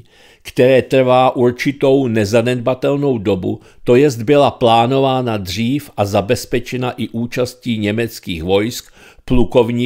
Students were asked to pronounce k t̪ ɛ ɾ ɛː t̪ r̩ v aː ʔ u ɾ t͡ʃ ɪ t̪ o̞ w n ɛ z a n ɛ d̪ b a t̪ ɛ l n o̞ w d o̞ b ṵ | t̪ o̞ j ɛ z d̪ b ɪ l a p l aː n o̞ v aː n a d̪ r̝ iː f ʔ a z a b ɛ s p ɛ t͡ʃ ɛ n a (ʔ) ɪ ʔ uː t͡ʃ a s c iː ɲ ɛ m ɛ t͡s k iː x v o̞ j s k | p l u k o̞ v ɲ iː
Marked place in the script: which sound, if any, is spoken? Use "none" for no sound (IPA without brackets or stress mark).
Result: ʔ